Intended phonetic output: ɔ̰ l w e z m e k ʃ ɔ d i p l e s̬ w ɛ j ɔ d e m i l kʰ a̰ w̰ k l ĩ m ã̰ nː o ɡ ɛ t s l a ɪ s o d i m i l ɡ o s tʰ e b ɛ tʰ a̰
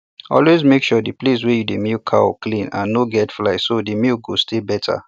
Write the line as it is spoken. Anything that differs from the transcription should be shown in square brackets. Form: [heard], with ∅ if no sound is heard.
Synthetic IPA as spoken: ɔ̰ l w e z m e k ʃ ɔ d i p l e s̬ w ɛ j [u] d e m i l kʰ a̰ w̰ k l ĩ [n] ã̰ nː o ɡ ɛ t [f] l a ɪ s o d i m i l ɡ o s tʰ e b ɛ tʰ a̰